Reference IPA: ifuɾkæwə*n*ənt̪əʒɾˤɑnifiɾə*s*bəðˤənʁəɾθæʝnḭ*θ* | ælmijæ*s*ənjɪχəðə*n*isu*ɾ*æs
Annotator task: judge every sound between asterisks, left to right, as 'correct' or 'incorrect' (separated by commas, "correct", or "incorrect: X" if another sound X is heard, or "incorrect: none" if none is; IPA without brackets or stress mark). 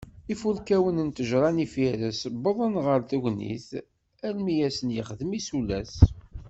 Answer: correct, correct, correct, correct, incorrect: m, incorrect: l